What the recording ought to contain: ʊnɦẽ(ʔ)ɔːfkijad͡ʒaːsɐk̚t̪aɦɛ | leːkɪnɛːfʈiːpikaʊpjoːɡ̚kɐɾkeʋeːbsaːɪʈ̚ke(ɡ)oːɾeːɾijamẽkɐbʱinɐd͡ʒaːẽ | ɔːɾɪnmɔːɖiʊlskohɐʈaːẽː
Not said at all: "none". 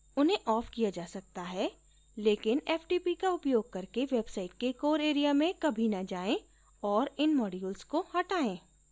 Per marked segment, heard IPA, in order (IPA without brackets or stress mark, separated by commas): ʔ, k